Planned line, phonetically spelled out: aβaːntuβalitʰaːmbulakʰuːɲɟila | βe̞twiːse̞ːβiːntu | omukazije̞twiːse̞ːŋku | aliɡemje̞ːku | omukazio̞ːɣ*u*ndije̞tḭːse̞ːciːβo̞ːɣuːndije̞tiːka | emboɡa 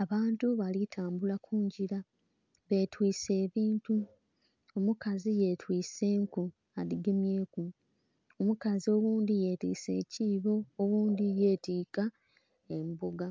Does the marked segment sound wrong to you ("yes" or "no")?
yes